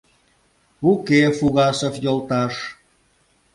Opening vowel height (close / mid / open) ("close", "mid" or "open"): close